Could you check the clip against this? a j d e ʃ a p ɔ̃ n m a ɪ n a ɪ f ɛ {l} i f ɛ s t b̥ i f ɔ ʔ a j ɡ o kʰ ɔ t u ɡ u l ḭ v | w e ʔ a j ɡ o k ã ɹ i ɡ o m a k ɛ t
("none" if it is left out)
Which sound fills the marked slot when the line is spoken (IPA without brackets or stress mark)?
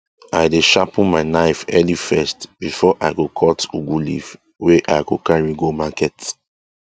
l